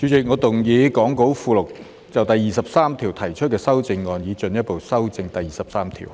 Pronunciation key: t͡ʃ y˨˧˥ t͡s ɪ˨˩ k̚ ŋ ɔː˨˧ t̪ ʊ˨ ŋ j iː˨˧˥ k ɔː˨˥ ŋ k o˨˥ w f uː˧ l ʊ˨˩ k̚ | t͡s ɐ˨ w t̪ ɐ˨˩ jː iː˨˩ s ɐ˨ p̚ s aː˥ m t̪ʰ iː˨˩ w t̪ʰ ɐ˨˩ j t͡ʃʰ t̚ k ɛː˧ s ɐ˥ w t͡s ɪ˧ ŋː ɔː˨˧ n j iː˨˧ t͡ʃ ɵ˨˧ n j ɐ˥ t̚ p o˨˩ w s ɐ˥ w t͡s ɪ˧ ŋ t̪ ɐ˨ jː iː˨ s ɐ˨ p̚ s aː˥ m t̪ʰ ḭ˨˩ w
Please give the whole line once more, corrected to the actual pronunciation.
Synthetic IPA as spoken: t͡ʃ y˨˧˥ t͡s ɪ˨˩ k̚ ŋ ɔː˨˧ t̪ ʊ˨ ŋ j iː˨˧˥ k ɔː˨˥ ŋ k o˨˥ w f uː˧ l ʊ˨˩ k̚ | t͡s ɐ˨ w t̪ ɐ˨˩ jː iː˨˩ s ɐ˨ p̚ s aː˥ m t̪ʰ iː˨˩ w t̪ʰ ɐ˨˩ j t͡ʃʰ t̚ k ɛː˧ s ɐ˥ w t͡s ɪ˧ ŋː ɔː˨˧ n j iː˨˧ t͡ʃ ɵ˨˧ n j ɐ˥ t̚ p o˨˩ w s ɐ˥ w t͡s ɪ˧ ŋ t̪ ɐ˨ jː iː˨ s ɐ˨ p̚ s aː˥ m t̪ʰ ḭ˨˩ w